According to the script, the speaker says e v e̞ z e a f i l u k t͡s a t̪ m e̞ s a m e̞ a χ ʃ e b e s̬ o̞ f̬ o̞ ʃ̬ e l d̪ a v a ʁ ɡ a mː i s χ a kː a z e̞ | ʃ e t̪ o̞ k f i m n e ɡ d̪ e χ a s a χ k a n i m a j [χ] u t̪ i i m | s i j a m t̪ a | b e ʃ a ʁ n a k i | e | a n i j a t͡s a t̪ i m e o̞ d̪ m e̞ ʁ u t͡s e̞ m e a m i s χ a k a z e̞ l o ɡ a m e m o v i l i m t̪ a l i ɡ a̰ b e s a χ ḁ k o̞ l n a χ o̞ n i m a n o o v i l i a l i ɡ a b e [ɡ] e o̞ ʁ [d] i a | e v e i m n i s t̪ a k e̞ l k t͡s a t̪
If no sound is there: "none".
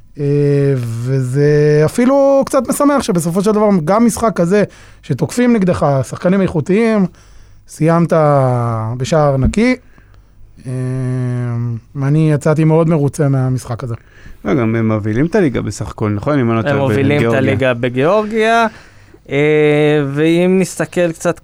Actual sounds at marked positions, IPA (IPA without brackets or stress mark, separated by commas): χ, ɡ, ɡ